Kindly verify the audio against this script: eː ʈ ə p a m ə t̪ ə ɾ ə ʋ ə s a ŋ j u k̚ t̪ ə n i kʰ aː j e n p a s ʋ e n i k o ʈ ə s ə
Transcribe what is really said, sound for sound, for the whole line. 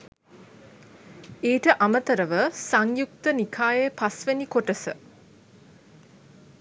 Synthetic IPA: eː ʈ ə ʔ a m ə t̪ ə ɾ ə ʋ ə s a ŋ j u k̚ t̪ ə n i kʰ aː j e p a s ʋ e n i k o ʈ ə s ə